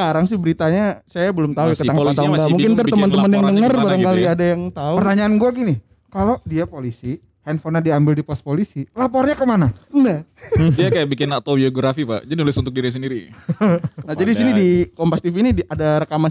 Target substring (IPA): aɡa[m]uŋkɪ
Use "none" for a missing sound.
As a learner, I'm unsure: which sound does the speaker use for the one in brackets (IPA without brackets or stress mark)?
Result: m